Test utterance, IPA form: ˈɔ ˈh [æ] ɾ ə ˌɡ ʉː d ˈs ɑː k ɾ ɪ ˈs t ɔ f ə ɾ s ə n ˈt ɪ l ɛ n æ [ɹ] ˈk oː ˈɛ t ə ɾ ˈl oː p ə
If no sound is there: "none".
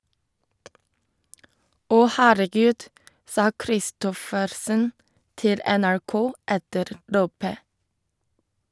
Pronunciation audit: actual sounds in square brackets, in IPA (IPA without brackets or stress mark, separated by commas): æː, ɹ